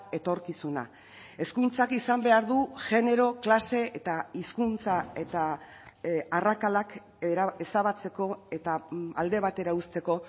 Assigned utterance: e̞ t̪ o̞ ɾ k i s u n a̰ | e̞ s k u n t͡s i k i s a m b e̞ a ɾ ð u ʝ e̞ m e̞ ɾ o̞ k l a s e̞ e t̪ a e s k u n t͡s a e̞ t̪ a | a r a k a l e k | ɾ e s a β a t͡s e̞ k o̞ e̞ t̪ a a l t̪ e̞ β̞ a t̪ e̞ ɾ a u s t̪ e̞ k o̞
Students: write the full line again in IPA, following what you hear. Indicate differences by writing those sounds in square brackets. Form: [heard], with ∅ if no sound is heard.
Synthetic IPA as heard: e̞ t̪ o̞ ɾ k i s u n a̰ | e̞ s k u n t͡s [a] k i s a m b e̞ a ɾ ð u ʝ e̞ [n] e̞ ɾ o̞ k l a s e̞ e t̪ a [i] s k u n t͡s a e̞ t̪ a | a r a k a l [a] k | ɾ e s a β a t͡s e̞ k o̞ e̞ t̪ a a l [d̪] e̞ β̞ a t̪ e̞ ɾ a u s t̪ e̞ k o̞